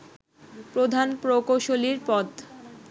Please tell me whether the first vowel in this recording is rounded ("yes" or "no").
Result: yes